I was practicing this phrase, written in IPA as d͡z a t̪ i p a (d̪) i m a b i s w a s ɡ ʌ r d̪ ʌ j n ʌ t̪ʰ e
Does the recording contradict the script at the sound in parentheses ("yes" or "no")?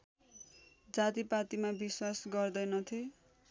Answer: yes